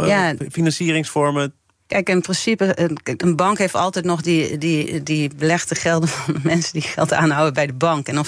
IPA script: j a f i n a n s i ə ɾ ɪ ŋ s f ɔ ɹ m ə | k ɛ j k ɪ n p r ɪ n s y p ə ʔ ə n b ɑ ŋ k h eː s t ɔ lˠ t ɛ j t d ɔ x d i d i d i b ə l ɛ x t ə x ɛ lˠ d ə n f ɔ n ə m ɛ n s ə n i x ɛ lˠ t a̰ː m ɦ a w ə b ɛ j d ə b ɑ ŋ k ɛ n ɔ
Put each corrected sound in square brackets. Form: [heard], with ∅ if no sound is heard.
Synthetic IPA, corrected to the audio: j a f i n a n s i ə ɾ ɪ ŋ s f ɔ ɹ m ə | k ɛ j k ɪ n p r ɪ n s [i] p ə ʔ ə n b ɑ ŋ k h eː [f] t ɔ lˠ t ɛ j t [n] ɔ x d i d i d i b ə l ɛ x t ə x ɛ lˠ d ə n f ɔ n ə m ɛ n s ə [d] i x ɛ lˠ t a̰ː [n] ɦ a w ə b ɛ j d ə b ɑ ŋ k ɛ n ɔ